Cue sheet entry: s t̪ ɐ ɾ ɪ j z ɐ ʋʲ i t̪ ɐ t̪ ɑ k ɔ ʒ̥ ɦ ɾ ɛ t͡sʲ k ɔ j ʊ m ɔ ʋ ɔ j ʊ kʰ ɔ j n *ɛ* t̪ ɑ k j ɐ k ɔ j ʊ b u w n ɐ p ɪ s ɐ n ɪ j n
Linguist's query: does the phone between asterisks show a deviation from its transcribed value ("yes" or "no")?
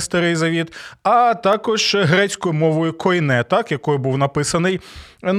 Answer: no